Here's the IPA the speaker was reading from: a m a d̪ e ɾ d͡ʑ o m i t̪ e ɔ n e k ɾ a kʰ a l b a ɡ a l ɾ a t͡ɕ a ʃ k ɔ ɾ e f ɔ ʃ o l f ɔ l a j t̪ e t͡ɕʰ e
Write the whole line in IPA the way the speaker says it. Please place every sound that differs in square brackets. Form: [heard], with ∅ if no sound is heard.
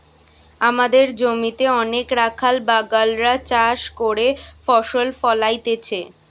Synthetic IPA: a m a d̪ e ɾ d͡ʑ o m i t̪ e ɔ n e k ɾ a kʰ a l b a ɡ a l ɾ a t͡ɕ a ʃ k [o] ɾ e f ɔ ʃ o l f ɔ l a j t̪ e t͡ɕʰ e